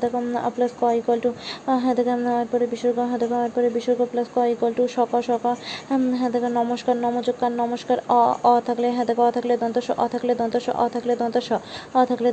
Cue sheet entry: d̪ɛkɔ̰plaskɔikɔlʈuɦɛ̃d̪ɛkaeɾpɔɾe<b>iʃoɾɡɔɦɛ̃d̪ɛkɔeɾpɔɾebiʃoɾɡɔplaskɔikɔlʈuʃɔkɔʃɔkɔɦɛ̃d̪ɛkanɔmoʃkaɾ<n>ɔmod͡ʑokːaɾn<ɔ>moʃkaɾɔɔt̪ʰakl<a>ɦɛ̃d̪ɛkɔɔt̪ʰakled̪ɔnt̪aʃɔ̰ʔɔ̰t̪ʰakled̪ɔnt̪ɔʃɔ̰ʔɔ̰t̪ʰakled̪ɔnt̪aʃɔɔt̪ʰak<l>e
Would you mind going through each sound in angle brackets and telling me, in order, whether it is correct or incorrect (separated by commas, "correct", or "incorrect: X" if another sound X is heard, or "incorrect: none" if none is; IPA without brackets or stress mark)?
correct, correct, correct, incorrect: e, correct